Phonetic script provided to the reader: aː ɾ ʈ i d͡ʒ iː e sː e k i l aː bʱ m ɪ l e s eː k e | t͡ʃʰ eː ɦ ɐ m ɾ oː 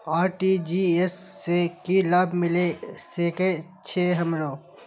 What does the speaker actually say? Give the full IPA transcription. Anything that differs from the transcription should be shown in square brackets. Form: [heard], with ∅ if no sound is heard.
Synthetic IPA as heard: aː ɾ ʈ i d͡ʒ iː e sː e k i l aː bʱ m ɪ l e s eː k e | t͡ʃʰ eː ɦ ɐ m ɾ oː